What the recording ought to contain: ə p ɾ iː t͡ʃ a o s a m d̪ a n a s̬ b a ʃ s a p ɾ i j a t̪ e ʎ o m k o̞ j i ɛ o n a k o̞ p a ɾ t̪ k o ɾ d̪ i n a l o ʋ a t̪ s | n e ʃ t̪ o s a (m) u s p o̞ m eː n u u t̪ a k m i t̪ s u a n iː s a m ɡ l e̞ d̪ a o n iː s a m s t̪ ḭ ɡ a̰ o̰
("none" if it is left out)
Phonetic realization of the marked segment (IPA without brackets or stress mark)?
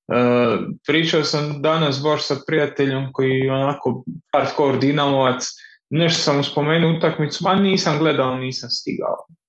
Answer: m